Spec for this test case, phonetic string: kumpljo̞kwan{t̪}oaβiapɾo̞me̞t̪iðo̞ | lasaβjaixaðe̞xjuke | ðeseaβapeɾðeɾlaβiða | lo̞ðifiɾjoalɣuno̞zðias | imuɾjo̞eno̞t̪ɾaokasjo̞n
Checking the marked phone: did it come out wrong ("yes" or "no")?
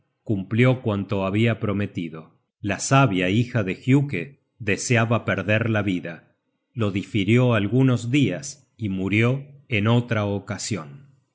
no